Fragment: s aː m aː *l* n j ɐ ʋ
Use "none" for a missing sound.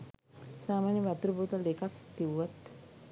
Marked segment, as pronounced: none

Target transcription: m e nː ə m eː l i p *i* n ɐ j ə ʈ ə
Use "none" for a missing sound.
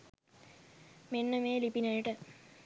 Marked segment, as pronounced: i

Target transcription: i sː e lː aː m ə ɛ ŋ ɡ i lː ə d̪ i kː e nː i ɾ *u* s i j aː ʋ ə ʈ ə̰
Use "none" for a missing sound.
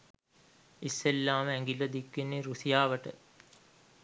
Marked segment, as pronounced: u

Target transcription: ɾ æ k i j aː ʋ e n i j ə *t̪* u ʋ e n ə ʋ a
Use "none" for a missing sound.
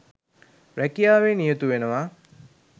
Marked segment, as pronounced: t̪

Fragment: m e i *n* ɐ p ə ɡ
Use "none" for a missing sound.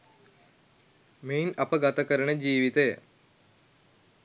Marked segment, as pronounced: n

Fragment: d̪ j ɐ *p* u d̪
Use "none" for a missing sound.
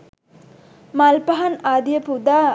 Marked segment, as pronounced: p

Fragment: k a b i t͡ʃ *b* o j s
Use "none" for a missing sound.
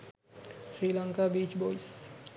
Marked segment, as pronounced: b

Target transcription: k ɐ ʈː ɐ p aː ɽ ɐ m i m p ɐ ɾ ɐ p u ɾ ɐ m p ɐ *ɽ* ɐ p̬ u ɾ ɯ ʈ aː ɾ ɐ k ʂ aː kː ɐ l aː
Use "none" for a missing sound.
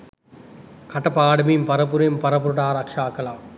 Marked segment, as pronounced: ɾ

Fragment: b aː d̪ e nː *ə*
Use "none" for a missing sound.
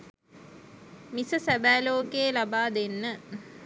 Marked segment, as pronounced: ə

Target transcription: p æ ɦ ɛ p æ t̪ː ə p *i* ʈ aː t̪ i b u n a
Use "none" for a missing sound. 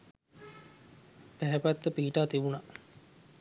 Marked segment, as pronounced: iː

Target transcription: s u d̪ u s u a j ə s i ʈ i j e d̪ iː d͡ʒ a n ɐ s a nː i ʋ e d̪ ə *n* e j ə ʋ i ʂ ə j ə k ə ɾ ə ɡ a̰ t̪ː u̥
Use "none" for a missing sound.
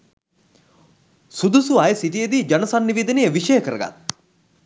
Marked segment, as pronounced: n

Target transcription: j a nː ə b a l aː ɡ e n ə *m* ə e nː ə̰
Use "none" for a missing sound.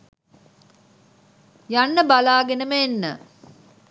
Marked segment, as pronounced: m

